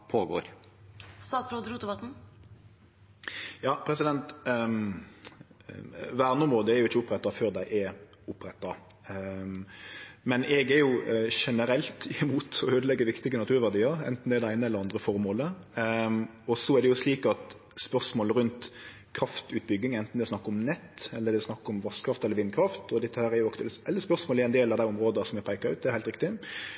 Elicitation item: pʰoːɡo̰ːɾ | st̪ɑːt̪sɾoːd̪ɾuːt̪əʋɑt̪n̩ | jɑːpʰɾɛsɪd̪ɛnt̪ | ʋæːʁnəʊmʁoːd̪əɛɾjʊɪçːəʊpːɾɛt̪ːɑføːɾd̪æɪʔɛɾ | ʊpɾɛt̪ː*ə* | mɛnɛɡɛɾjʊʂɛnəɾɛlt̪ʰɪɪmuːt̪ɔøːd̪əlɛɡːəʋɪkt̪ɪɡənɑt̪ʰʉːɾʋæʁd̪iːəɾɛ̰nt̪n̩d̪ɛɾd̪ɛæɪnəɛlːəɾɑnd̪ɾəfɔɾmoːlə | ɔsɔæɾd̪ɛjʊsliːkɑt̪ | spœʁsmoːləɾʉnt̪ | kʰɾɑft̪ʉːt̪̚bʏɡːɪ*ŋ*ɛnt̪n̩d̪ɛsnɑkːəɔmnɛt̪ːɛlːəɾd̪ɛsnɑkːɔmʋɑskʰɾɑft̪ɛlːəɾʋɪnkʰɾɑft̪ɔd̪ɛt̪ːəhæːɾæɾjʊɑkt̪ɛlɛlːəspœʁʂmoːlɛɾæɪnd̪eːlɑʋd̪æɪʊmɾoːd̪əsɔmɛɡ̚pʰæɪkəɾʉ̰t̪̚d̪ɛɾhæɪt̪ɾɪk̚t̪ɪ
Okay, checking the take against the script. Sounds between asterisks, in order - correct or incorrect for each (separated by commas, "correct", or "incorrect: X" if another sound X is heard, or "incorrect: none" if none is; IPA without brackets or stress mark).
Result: incorrect: ɑ, correct